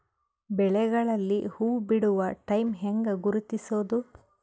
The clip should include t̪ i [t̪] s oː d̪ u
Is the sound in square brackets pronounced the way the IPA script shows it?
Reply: no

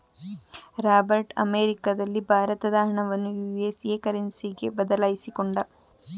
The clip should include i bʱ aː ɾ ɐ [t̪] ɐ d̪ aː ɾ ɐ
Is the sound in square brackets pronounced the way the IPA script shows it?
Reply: yes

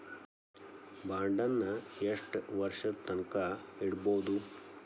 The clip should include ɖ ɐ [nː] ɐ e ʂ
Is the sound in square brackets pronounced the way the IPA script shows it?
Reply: yes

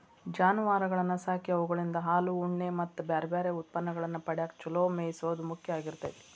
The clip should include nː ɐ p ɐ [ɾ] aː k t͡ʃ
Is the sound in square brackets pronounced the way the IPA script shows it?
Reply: no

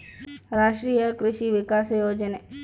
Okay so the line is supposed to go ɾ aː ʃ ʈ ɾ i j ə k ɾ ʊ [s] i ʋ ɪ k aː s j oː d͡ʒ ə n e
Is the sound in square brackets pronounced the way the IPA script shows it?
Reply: no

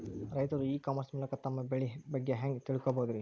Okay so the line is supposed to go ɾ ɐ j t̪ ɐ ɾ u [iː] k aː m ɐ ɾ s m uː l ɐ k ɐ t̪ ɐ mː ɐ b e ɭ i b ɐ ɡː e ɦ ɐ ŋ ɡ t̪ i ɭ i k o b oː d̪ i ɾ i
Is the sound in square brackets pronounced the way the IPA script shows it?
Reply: yes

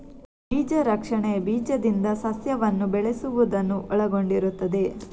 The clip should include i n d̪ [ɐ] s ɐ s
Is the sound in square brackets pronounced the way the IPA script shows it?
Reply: yes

